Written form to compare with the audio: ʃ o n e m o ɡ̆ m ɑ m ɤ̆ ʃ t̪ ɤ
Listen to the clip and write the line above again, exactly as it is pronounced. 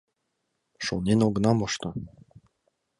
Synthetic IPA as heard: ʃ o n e n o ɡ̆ n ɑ m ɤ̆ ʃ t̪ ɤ